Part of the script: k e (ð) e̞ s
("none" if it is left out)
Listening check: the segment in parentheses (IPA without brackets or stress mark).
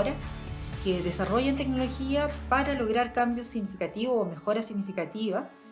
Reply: ð